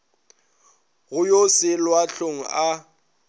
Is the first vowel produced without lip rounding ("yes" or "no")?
no